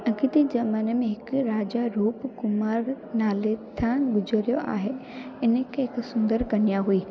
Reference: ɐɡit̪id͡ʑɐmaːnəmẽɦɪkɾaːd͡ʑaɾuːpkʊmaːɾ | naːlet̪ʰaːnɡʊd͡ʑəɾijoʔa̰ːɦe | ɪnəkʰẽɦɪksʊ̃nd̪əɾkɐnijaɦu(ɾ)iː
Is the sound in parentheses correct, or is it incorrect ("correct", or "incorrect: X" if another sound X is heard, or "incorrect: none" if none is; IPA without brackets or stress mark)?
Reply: incorrect: none